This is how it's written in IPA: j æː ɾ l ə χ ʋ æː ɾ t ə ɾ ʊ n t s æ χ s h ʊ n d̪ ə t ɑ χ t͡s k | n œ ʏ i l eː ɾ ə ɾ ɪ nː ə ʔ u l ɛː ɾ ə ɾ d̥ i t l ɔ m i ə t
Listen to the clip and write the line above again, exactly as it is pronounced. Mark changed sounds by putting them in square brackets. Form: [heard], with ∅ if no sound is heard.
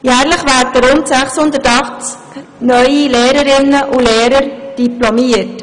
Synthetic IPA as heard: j æː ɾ l ə χ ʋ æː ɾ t ə ɾ ʊ n t s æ χ s h ʊ n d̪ ə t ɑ χ t͡s k | n œ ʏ i l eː ɾ ə ɾ ɪ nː ə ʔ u l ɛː ɾ ə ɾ d̥ i [p] l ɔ m i ə t